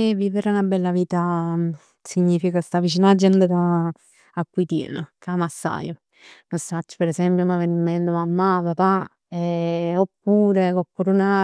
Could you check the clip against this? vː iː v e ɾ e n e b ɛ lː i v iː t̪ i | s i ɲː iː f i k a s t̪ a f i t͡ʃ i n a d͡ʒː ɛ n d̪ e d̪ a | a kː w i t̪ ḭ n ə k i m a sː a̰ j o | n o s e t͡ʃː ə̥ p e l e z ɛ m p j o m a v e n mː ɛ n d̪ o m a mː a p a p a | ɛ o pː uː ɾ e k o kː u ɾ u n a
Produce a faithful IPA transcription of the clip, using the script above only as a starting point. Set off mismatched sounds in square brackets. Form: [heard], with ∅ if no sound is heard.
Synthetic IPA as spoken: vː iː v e ɾ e n [a] b ɛ lː [a] v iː t̪ [a] | s i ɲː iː f i k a s t̪ a [v] i t͡ʃ i n a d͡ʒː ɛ n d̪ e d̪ a | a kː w i t̪ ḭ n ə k [a] m a sː a̰ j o | n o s [a] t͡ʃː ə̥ p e [ɾ] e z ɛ m p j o m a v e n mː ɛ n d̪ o m a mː a p a p a | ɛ o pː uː ɾ e k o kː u ɾ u n a